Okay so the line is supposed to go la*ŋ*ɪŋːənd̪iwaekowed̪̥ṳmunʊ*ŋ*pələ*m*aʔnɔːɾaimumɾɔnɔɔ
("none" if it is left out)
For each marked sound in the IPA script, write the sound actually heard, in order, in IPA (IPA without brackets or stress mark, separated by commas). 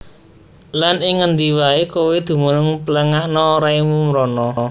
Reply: n, ŋ, ŋ